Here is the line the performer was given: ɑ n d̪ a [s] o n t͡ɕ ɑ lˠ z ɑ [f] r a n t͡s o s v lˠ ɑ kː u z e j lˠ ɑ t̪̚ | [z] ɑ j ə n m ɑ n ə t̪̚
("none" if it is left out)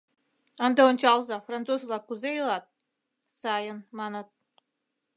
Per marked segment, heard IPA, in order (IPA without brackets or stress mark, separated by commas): none, f, s